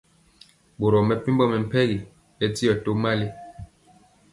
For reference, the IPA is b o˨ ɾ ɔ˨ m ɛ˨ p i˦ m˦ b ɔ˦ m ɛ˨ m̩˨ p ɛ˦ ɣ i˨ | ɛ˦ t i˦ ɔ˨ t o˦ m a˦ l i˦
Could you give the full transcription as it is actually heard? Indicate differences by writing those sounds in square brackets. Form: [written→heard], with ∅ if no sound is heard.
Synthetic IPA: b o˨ ɾ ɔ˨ m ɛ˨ p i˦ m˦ b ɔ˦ m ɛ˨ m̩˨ p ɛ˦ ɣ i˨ | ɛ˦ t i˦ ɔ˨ t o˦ m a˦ l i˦